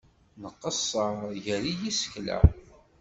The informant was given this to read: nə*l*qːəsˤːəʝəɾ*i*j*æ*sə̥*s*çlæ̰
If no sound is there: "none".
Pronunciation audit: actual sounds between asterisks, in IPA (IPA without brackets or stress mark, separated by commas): none, i, i, none